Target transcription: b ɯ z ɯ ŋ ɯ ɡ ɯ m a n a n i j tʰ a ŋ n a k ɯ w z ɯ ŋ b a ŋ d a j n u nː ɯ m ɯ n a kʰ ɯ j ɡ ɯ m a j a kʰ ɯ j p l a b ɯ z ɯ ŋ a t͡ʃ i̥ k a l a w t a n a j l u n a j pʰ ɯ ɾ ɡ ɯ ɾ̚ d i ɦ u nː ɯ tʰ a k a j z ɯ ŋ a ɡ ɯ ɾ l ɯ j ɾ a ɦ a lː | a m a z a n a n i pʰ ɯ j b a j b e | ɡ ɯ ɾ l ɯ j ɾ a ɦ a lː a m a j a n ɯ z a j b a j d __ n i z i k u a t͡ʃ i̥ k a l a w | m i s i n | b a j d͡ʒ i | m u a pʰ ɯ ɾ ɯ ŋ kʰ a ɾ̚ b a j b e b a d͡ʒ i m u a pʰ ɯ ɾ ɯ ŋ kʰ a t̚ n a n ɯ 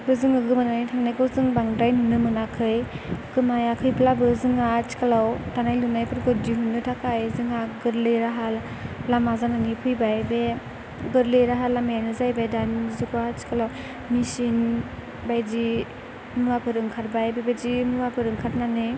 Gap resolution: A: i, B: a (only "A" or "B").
B